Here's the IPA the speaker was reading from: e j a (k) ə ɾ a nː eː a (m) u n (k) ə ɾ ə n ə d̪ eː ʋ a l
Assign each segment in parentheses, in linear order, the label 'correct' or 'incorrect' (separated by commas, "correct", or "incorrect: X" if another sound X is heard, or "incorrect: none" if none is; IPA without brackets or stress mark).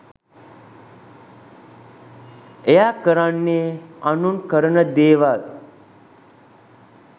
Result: correct, incorrect: n, correct